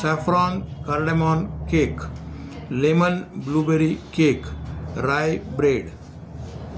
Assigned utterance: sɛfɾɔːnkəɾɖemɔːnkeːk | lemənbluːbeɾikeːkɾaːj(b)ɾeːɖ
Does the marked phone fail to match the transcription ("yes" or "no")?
no